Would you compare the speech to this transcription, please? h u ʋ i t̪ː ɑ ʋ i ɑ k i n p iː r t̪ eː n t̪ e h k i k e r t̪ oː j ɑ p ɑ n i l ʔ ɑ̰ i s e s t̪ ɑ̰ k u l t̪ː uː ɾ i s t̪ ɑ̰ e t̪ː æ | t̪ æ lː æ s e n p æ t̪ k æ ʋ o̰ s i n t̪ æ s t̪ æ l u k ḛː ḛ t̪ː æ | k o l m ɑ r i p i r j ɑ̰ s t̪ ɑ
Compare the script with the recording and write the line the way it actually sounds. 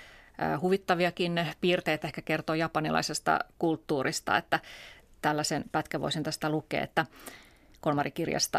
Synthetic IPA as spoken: h u ʋ i t̪ː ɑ ʋ i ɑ k i n p iː r t̪ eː t̪ e h k æ k e r t̪ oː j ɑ p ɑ n i l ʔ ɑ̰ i s e s t̪ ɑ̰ k u l t̪ː uː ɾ i s t̪ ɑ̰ e t̪ː æ | t̪ æ lː æ s e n p æ t̪ k æ ʋ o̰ s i n t̪ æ s t̪ æ l u k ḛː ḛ t̪ː æ | k o l m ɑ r i k i r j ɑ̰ s t̪ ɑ